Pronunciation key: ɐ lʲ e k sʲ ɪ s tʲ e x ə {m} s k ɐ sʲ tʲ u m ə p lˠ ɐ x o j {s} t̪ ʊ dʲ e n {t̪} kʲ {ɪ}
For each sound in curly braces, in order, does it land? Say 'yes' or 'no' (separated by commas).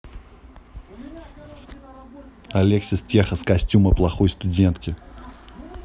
no, yes, yes, yes